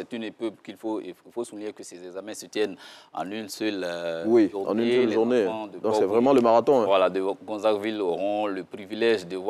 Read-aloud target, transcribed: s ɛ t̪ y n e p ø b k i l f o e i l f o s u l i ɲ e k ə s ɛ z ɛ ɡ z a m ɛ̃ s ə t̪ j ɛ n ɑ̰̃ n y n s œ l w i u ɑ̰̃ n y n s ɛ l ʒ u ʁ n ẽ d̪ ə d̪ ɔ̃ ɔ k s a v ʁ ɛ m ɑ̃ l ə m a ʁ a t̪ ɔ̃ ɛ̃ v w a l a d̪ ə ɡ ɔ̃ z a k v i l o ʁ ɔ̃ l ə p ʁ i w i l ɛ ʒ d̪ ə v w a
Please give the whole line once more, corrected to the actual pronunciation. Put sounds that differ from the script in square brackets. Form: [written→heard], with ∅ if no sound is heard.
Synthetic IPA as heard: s ɛ t̪ y n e p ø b k i l f o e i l f o s u l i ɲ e k ə s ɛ z ɛ ɡ z a m ɛ̃ s ə t̪ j ɛ n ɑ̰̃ n y n s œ l w i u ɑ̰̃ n y n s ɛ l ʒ u ʁ n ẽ d̪ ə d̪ ɔ̃ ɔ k s [a→ɛ] v ʁ ɛ m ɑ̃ l ə m a ʁ a t̪ ɔ̃ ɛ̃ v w a l a d̪ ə ɡ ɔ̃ z a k v i l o ʁ ɔ̃ l ə p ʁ i [w→v] i l ɛ ʒ d̪ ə v w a